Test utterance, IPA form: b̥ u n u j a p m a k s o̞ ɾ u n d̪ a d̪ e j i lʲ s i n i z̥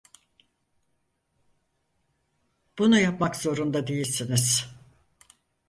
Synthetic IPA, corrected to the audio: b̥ u n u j a p m a k z o̞ ɾ u n d̪ a d̪ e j i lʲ s i n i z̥